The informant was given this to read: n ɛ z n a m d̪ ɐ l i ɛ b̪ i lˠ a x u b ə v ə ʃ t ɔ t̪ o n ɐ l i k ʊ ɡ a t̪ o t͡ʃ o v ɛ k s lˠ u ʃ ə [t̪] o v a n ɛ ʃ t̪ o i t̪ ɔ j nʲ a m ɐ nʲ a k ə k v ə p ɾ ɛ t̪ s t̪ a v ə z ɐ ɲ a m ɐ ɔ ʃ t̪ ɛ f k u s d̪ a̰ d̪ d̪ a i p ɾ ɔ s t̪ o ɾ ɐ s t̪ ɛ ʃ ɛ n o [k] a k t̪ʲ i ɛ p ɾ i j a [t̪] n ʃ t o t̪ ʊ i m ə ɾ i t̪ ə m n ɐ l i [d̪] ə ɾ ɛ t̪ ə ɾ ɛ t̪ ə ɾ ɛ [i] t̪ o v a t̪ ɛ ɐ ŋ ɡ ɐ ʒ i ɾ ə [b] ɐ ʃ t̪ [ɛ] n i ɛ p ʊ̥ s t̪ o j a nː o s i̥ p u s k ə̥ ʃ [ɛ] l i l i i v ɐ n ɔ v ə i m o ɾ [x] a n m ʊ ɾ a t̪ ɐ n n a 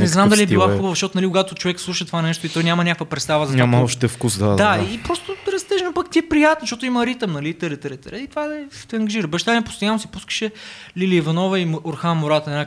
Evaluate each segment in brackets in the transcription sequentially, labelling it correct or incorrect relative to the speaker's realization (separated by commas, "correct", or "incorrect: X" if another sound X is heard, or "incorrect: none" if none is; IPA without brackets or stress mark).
correct, incorrect: p, correct, incorrect: t̪, correct, correct, incorrect: a, correct, correct